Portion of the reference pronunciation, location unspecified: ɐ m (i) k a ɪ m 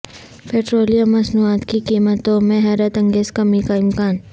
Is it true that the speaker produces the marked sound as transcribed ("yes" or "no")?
yes